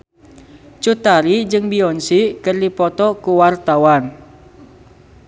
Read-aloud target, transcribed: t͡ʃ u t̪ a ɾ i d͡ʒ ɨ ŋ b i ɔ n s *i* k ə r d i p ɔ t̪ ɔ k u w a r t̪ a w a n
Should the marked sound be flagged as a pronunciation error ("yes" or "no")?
no